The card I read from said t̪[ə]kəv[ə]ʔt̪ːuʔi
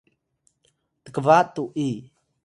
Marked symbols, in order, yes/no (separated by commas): yes, no